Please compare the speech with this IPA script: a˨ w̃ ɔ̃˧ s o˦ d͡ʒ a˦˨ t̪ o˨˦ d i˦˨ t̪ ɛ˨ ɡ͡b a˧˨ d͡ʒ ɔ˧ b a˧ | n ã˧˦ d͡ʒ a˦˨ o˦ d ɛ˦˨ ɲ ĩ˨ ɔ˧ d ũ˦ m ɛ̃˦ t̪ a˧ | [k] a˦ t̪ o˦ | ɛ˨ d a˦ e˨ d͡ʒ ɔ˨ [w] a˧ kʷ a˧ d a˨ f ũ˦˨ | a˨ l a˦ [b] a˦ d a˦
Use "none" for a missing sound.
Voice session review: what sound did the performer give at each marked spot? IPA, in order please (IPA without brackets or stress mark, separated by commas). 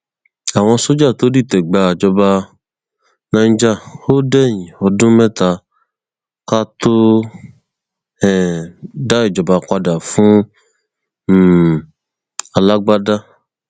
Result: k, b, ɡ͡b